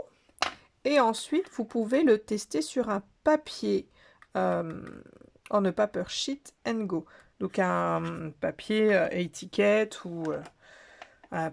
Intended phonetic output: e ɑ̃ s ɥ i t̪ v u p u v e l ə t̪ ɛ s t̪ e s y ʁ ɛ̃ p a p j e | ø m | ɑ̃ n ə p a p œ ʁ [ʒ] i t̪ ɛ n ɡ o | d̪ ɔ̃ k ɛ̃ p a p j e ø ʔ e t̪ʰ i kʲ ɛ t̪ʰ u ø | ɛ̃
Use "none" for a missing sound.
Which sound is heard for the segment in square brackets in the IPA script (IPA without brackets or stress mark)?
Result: ʃ